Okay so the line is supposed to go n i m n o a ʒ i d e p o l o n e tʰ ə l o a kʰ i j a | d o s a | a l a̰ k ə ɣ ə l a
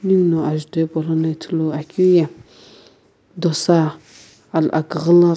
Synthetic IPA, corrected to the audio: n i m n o a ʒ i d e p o l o n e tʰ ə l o a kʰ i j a | d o s a | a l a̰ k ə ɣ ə l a